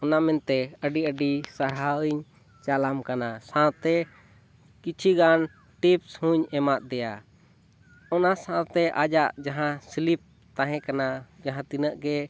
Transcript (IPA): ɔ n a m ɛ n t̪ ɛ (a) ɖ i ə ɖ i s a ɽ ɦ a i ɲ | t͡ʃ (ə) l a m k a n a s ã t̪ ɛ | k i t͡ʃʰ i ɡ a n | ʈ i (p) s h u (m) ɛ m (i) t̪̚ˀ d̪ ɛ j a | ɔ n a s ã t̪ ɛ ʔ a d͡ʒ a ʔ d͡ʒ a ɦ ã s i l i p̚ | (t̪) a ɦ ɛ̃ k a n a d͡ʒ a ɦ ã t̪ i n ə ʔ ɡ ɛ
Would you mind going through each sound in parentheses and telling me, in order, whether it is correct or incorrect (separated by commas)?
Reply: incorrect, incorrect, correct, incorrect, incorrect, correct